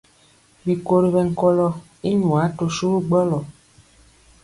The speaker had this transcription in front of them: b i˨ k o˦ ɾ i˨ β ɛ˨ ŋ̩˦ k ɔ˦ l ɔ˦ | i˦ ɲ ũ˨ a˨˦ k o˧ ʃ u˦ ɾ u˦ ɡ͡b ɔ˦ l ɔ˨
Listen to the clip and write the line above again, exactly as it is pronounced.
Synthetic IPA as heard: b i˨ k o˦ ɾ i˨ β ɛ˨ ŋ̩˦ k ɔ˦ l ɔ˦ | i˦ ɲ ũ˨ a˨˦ t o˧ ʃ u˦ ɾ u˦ ɡ͡b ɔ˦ l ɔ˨